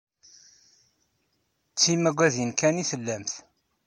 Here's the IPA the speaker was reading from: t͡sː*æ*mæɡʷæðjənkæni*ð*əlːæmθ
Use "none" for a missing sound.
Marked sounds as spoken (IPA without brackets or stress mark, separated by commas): i, θ